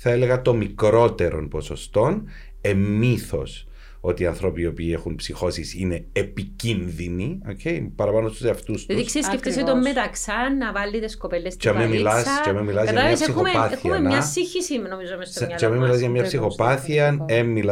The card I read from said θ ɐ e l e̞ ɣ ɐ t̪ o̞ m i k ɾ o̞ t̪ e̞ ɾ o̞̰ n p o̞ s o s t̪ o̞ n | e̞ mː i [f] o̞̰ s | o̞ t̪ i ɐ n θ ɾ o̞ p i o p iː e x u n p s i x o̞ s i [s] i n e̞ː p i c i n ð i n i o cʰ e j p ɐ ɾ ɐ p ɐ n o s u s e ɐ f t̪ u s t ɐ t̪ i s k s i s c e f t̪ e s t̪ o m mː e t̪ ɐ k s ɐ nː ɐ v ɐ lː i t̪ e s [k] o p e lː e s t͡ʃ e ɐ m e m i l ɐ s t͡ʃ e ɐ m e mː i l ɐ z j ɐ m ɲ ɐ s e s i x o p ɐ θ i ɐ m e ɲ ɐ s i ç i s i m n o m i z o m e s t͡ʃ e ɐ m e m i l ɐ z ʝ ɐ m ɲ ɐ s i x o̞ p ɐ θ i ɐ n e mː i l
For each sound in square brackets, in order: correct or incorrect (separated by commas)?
incorrect, correct, correct